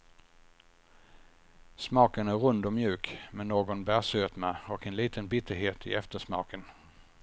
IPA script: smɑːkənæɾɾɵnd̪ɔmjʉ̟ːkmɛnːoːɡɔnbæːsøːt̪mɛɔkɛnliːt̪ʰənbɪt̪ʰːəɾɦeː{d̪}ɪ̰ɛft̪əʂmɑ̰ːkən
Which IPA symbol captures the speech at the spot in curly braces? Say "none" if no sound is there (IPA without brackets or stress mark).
t̪